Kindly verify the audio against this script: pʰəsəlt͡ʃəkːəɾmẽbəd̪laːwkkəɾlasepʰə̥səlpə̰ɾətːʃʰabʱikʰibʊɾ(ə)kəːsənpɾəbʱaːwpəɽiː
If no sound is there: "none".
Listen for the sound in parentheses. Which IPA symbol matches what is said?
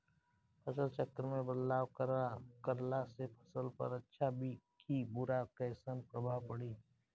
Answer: a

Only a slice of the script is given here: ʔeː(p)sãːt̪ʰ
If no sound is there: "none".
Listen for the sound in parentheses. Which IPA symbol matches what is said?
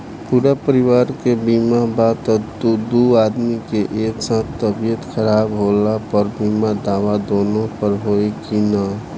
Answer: k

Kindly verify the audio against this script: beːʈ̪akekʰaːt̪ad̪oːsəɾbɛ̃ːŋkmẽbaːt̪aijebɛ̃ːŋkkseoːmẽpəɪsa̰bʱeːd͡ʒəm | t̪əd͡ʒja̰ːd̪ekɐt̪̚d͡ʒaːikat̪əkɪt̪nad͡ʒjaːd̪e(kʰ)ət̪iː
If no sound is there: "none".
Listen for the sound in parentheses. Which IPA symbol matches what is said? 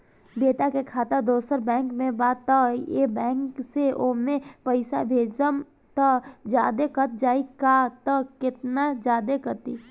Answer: k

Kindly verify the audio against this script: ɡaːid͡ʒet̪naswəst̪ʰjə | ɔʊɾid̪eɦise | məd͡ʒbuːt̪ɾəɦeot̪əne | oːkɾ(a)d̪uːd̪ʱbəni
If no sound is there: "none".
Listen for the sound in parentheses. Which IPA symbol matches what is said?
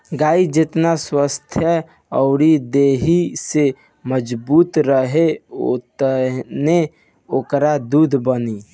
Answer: a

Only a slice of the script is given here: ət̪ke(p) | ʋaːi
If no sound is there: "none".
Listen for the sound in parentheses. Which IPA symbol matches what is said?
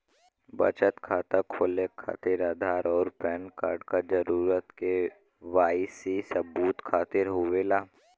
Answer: none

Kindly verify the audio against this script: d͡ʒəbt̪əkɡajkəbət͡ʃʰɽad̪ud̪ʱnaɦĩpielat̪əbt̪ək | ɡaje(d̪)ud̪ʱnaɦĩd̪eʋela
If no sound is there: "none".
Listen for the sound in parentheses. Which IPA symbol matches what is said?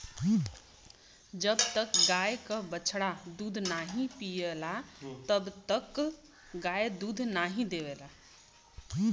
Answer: d̪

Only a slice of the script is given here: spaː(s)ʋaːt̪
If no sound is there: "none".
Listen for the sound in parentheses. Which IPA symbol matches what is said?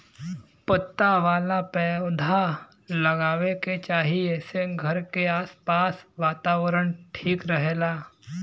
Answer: s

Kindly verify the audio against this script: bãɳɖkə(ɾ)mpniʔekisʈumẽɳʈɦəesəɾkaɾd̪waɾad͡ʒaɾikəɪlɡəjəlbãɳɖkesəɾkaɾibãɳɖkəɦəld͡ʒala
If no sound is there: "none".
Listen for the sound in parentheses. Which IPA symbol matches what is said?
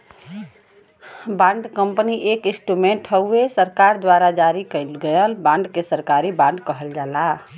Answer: none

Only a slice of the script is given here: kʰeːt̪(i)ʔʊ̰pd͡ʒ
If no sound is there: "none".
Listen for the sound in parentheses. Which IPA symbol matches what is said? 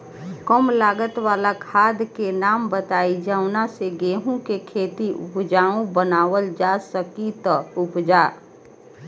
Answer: i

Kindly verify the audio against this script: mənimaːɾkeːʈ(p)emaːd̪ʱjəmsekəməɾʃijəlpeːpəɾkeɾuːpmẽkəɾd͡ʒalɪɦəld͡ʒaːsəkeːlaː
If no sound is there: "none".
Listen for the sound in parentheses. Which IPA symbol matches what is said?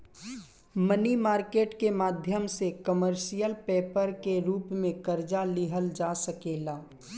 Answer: k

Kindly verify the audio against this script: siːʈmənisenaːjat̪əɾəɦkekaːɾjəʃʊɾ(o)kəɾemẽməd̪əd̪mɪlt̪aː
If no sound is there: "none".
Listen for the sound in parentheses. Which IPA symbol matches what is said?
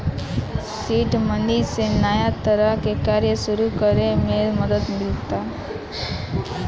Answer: u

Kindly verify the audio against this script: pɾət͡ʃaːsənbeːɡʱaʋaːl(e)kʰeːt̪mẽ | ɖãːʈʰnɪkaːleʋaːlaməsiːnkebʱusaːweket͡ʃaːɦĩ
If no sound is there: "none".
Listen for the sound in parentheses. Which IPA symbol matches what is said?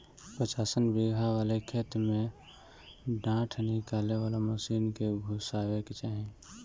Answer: e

